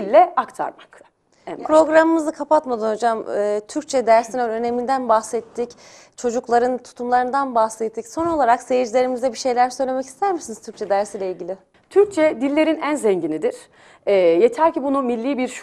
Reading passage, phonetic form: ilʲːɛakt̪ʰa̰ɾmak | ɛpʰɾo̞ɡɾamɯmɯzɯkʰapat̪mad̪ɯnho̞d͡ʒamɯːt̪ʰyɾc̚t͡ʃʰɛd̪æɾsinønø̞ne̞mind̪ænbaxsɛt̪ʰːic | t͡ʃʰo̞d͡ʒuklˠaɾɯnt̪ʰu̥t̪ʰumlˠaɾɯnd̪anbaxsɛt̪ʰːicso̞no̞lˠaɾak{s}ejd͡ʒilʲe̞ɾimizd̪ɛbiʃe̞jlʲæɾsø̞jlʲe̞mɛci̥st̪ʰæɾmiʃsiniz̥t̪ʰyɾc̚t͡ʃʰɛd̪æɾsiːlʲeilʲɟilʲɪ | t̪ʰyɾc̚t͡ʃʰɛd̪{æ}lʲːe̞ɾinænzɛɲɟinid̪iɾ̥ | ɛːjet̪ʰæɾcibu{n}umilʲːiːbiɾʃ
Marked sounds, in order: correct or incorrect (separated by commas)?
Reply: correct, incorrect, correct